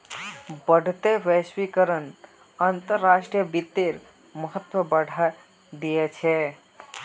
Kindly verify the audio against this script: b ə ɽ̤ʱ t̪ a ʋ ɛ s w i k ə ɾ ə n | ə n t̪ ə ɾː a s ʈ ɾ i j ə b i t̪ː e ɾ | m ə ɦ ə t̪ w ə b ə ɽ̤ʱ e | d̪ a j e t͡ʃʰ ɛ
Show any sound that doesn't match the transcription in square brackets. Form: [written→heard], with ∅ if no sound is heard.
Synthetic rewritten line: b ə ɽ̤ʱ t̪ [a→e] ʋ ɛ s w i k ə ɾ ə n | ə n t̪ ə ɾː a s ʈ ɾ i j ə b i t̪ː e ɾ | m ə ɦ ə t̪ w ə b ə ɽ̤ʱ [e→a] | d̪ [a→i] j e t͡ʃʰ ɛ